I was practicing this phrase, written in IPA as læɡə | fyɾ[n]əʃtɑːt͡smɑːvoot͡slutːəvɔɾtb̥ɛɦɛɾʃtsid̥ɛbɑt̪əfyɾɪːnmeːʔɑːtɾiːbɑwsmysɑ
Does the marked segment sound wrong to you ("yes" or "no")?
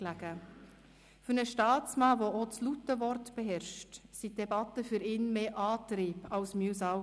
no